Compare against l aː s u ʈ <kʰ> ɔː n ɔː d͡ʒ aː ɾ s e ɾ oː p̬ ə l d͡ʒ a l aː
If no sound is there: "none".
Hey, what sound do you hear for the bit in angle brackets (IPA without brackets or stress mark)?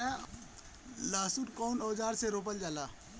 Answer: k